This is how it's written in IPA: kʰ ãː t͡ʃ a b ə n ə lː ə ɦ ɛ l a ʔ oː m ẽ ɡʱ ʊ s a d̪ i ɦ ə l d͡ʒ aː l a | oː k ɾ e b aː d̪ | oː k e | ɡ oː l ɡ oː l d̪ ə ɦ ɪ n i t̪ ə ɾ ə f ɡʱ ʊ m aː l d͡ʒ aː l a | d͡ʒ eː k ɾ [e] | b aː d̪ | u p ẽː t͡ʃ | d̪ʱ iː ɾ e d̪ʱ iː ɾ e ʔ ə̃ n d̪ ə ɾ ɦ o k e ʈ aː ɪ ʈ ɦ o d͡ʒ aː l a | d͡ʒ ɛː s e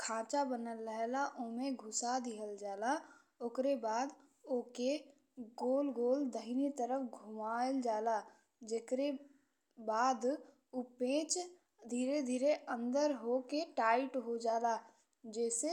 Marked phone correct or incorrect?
correct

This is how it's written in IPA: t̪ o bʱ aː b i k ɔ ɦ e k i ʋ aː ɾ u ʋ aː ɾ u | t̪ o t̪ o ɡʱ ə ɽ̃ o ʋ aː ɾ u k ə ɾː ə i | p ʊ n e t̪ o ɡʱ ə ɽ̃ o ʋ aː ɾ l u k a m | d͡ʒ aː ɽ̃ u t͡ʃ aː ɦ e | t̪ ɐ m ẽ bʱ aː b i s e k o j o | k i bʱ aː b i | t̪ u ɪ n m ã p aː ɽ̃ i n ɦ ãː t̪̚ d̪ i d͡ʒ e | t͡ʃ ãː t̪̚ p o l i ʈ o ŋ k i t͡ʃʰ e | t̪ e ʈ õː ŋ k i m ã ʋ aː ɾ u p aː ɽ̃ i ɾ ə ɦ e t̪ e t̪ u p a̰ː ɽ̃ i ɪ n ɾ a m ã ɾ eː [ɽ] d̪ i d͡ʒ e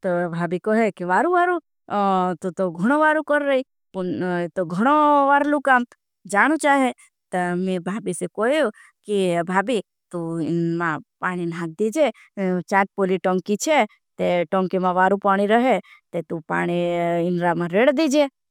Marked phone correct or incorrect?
correct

